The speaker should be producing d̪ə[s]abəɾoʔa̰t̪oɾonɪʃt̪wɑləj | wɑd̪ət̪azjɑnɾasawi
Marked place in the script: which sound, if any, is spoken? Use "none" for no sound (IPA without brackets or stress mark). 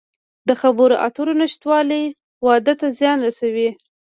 x